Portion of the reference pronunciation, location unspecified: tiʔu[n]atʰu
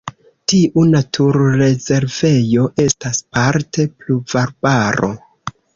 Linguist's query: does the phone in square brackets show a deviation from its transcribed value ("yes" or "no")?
no